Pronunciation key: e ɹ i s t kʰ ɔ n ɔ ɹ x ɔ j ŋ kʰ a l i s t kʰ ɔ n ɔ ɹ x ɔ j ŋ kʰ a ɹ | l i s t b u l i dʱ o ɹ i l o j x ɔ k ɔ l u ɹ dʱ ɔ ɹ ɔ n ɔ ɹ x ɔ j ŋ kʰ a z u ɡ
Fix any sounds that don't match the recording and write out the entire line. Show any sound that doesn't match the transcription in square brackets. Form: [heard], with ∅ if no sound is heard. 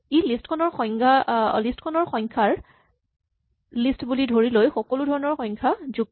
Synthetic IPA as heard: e [l] i s t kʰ ɔ n ɔ ɹ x ɔ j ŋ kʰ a l i s t kʰ ɔ n ɔ ɹ x ɔ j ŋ kʰ a ɹ | l i s t b u l i dʱ o ɹ i l o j x ɔ k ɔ l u [∅] dʱ ɔ ɹ ɔ n ɔ ɹ x ɔ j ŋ kʰ a z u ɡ